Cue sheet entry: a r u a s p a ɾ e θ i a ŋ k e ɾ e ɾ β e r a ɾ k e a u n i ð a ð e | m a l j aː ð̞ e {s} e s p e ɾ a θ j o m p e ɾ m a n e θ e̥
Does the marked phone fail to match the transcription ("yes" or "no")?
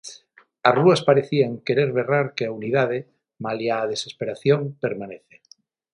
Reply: no